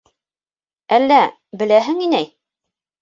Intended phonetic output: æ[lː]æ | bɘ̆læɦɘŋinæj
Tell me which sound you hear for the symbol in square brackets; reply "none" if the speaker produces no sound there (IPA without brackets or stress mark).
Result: lː